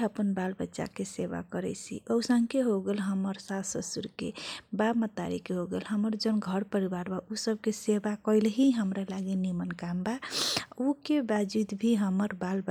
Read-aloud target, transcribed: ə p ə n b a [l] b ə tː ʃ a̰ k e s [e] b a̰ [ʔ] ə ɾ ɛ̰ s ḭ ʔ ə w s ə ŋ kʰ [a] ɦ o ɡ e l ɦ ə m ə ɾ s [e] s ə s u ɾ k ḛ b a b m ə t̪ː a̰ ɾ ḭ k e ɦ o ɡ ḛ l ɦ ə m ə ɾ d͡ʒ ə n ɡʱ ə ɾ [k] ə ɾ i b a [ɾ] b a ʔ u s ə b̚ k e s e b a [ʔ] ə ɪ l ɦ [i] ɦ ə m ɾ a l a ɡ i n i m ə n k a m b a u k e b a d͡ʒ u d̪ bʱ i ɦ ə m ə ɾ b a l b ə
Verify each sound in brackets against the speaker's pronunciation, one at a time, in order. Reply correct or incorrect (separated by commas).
correct, correct, incorrect, incorrect, incorrect, incorrect, correct, incorrect, correct